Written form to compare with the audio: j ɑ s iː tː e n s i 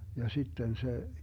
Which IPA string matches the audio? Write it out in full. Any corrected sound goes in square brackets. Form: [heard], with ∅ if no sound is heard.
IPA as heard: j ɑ s [i] tː e n s [e]